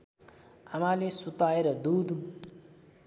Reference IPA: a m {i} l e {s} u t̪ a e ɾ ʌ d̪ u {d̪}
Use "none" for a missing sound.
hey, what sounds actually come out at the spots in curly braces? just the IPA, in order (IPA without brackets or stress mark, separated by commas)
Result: a, s, d̪